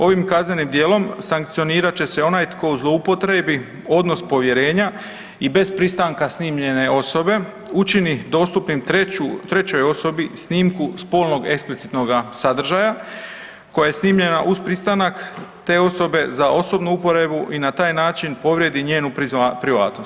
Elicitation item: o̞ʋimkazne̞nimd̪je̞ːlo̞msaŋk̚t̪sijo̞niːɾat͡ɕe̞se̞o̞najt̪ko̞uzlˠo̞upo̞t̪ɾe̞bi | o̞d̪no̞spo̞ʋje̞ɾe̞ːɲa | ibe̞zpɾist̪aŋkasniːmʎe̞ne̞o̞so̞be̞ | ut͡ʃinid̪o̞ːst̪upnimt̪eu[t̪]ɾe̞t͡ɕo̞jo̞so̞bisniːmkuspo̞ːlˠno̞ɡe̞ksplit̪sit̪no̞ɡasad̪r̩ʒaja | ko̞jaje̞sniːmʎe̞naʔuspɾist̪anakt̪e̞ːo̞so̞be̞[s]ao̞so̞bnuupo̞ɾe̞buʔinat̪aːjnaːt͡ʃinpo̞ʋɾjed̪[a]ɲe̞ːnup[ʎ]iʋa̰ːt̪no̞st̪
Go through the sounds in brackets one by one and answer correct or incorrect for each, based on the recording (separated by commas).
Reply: correct, incorrect, incorrect, incorrect